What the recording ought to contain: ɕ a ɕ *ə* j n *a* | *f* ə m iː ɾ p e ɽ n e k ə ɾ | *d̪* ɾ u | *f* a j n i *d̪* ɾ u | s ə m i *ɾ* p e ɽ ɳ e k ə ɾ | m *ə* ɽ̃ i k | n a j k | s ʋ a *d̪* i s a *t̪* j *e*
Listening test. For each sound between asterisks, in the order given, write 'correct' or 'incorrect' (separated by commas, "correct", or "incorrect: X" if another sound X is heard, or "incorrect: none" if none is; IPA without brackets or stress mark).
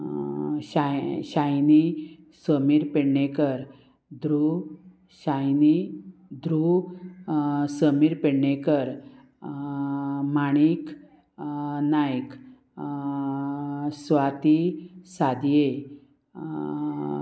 incorrect: a, incorrect: i, incorrect: s, correct, incorrect: ɕ, correct, correct, incorrect: a, incorrect: t̪, incorrect: d̪, correct